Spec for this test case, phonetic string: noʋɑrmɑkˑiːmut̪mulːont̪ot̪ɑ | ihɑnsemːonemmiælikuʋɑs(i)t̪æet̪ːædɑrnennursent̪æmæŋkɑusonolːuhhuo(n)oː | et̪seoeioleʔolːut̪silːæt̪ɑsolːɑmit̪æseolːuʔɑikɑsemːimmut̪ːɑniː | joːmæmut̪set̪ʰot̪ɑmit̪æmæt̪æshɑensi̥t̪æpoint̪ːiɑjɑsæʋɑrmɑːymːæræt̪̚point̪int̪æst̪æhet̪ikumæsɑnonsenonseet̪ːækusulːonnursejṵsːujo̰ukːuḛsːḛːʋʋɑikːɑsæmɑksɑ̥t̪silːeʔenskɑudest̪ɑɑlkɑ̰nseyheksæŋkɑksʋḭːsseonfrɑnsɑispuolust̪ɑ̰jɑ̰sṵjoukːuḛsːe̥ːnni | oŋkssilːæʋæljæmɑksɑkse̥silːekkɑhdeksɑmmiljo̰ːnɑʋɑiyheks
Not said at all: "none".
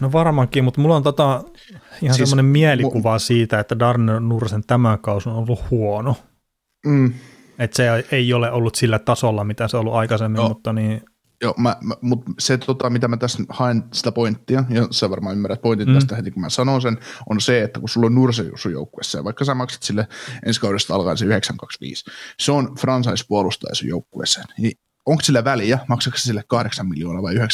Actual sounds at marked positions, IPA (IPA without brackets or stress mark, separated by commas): iː, n